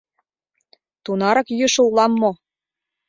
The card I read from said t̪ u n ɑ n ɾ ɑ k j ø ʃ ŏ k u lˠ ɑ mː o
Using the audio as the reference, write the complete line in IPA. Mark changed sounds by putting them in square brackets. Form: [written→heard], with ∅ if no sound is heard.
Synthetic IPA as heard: t̪ u n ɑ [n→∅] ɾ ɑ k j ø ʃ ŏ [k→∅] u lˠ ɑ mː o